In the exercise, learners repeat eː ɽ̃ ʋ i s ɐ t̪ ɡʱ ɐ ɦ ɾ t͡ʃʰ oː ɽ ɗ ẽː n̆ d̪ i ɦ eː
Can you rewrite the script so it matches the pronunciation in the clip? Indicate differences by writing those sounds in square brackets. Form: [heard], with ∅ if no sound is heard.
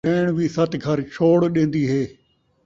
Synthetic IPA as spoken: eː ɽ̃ ʋ i s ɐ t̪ ɡʱ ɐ [∅] ɾ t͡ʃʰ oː ɽ ɗ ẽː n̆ d̪ i ɦ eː